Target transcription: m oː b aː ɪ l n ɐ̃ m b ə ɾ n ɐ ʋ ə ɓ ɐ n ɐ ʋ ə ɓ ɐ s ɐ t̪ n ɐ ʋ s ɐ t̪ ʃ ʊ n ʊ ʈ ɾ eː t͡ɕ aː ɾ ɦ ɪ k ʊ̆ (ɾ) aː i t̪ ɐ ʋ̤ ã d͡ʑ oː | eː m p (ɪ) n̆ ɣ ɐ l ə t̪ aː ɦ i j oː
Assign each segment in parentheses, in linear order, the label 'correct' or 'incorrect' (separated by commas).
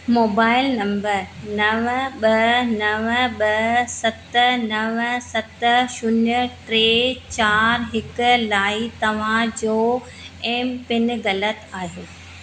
incorrect, correct